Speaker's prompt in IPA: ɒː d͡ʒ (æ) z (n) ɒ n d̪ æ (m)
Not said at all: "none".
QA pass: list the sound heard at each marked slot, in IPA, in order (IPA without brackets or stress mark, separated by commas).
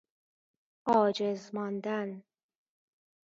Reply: e, m, n